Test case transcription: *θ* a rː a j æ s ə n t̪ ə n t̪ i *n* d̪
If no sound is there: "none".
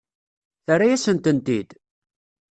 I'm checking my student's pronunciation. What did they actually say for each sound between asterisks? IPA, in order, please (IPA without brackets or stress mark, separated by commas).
θ, none